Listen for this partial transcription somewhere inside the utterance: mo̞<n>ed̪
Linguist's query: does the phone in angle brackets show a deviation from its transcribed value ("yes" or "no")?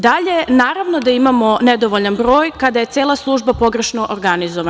no